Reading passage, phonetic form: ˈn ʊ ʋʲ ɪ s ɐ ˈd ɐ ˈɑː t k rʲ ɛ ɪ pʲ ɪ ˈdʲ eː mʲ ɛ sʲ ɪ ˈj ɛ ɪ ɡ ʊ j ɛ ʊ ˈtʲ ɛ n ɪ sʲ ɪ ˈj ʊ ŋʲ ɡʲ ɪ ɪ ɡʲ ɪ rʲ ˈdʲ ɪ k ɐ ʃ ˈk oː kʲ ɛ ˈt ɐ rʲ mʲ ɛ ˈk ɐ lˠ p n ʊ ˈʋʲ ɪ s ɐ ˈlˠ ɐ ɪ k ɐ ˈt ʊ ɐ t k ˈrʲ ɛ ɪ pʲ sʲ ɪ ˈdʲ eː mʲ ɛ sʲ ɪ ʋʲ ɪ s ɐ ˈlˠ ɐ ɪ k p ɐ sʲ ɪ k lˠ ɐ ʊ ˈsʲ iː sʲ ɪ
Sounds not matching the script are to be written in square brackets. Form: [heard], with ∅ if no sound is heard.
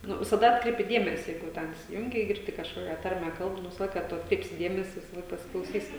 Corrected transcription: ˈn ʊ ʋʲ ɪ s ɐ ˈd ɐ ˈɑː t k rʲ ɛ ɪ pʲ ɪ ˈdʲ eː mʲ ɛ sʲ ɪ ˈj ɛ ɪ ɡ ʊ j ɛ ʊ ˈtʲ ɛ n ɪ sʲ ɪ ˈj ʊ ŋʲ ɡʲ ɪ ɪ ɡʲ ɪ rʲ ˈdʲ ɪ k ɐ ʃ ˈk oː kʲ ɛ ˈt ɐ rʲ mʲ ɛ ˈk ɐ lˠ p n ʊ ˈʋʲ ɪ s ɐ ˈlˠ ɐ ɪ k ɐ ˈt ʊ ɐ t k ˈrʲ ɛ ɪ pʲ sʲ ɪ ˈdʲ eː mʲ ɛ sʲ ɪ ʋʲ ɪ s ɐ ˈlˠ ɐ ɪ k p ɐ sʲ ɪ k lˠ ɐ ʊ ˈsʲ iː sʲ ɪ

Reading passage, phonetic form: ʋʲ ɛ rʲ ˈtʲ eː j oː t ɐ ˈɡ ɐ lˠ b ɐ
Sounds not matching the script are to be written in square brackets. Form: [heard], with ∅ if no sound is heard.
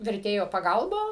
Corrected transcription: ʋʲ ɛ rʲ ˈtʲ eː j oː [p] ɐ ˈɡ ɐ lˠ b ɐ

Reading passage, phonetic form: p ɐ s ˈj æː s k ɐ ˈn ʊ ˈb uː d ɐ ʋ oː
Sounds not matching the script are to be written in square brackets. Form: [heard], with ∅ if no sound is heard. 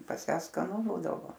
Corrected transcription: p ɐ s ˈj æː s k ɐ ˈn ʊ ˈb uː d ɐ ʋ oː

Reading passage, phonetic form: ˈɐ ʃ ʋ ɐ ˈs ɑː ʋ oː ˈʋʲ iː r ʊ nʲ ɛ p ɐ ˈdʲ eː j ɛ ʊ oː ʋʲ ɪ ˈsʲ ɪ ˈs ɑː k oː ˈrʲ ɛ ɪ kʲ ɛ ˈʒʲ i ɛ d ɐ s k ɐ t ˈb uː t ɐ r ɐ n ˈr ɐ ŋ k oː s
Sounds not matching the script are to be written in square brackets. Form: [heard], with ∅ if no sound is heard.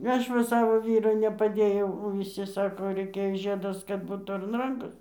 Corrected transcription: ˈɐ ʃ ʋ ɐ ˈs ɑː ʋ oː ˈʋʲ iː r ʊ nʲ ɛ p ɐ ˈdʲ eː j ɛ ʊ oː ʋʲ ɪ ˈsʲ ɪ ˈs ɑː k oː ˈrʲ ɛ ɪ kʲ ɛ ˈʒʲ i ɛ d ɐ s k ɐ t ˈb uː t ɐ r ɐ n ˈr ɐ ŋ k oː s

